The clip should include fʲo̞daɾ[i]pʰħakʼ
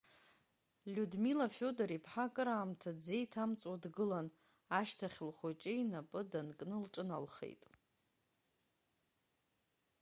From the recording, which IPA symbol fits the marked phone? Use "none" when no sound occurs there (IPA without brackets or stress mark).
i